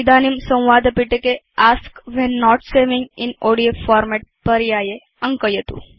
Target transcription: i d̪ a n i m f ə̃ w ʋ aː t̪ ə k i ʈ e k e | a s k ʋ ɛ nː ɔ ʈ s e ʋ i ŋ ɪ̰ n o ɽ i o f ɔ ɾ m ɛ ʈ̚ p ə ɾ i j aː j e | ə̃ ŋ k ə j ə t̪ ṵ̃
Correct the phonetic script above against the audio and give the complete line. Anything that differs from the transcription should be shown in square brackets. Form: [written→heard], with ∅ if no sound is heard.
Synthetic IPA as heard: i d̪ a n i m [f→s] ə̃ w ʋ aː [t̪→d̪] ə [k→p] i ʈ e k e | a s k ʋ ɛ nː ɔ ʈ s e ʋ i ŋ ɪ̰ n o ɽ i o f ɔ ɾ m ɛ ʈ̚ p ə ɾ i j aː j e | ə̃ ŋ k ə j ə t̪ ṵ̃